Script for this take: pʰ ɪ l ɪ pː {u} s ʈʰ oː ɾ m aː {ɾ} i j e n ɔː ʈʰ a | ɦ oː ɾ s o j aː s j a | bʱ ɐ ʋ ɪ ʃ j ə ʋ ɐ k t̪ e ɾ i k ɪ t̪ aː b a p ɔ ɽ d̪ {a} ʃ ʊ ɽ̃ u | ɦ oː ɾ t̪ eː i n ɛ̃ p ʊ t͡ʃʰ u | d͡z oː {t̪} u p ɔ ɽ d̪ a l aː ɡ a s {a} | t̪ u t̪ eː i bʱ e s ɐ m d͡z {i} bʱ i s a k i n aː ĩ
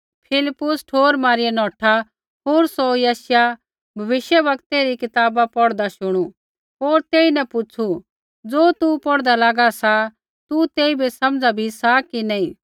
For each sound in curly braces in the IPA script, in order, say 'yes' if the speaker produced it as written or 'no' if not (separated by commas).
no, yes, yes, yes, yes, no